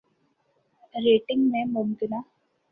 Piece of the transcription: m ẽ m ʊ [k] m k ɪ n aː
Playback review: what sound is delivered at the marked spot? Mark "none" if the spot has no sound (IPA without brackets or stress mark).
none